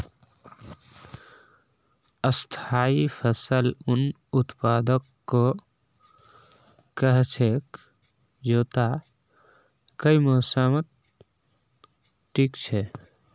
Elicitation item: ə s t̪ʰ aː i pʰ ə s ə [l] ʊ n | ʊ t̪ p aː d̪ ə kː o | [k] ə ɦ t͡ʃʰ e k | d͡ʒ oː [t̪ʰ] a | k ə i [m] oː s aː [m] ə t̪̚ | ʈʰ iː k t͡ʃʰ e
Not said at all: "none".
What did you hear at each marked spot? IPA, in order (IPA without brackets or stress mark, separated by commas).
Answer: l, k, t̪, m, m